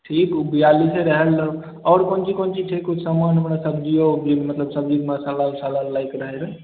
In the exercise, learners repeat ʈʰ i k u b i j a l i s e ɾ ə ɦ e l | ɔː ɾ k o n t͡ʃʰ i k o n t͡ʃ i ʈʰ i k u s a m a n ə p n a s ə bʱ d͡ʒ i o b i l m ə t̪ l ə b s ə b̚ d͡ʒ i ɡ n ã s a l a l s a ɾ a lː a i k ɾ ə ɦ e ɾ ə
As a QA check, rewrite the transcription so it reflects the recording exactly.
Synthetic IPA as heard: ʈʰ i k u b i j a l i s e ɾ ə ɦ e l | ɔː ɾ k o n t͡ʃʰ i k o n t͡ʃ i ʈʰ i k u s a m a n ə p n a s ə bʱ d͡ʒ i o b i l m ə t̪ l ə b s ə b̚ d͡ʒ i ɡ m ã s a l a l s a l a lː a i k ɾ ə ɦ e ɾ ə